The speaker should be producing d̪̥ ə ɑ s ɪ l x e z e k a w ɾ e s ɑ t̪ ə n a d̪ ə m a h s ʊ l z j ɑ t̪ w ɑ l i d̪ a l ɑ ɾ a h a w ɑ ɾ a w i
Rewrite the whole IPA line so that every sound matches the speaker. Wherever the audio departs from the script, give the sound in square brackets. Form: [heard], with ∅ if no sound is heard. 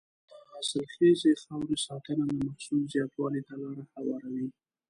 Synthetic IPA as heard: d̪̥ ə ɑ s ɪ l x e z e [x] a w ɾ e s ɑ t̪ ə n a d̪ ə m a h s [u] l z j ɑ t̪ w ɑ l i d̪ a l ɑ ɾ a h a w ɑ ɾ a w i